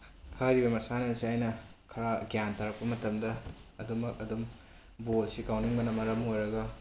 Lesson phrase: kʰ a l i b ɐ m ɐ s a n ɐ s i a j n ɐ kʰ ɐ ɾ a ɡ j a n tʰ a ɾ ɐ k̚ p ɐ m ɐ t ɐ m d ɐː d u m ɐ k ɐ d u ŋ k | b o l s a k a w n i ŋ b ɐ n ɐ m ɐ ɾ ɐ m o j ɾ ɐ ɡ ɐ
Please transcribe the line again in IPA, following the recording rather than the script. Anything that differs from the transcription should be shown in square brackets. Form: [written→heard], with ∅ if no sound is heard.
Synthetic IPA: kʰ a [l→ɾ] i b ɐ m ɐ s a n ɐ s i a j n ɐ kʰ ɐ ɾ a ɡ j a n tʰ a ɾ ɐ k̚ p ɐ m ɐ t ɐ m d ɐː d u m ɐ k ɐ d u [ŋ→m] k | b o l s [a→i] k a w n i ŋ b ɐ n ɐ m ɐ ɾ ɐ m o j ɾ ɐ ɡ ɐ